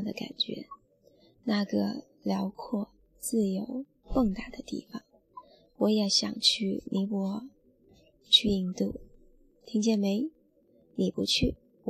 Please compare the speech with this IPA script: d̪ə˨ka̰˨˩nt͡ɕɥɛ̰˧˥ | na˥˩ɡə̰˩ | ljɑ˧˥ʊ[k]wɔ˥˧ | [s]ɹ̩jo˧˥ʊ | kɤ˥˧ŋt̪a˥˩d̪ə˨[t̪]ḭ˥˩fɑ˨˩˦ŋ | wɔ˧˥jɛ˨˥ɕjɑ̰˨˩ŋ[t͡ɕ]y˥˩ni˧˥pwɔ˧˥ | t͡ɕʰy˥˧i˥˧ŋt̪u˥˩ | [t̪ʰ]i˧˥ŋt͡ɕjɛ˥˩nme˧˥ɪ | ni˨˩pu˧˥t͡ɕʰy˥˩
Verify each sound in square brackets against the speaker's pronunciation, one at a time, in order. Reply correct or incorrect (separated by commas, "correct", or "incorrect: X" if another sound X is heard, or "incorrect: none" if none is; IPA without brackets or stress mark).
incorrect: kʰ, incorrect: t͡s, correct, incorrect: t͡ɕʰ, correct